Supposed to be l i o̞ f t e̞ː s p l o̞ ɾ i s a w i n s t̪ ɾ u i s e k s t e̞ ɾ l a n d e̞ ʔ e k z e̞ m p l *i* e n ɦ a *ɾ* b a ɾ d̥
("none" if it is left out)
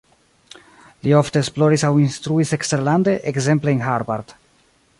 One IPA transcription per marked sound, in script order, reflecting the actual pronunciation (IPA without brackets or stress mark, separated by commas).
e, ɾ